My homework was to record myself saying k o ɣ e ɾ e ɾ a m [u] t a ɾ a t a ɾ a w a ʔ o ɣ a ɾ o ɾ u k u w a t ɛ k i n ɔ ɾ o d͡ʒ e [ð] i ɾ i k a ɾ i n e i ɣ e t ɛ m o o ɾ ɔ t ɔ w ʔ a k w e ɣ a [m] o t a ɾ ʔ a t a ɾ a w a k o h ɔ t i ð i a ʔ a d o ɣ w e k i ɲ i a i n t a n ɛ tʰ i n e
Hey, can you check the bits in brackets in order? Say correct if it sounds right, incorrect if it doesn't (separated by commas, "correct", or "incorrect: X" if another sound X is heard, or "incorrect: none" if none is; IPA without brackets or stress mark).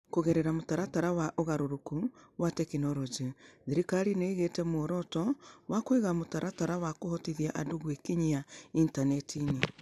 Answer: incorrect: o, correct, correct